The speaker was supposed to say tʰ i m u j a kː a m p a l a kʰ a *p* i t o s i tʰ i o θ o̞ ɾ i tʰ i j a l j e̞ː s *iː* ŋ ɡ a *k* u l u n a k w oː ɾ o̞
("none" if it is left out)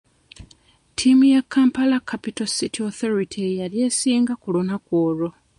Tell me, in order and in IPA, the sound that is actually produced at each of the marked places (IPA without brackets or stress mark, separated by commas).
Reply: p, iː, k